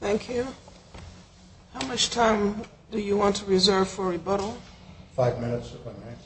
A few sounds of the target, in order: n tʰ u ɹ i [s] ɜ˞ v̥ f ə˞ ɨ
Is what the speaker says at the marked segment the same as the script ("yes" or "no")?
no